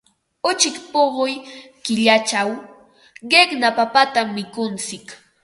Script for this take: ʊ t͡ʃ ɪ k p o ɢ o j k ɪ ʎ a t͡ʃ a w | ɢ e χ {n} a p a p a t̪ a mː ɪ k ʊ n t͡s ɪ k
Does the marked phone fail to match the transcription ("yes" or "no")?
no